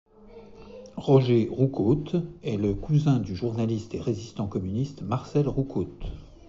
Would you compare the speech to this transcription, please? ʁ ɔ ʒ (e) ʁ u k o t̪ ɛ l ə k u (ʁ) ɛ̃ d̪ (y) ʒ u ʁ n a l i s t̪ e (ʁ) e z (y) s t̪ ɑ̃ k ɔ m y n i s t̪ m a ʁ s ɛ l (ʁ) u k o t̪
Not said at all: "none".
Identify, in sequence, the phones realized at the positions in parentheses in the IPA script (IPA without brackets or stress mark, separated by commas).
e, z, y, ʁ, i, ʁ